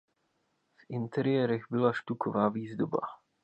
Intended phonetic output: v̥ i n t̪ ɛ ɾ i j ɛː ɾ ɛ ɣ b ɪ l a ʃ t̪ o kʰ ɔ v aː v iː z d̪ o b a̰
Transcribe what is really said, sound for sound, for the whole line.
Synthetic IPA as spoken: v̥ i n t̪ ɛ ɾ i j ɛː ɾ ɛ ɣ b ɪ l a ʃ t̪ u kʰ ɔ v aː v iː z d̪ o b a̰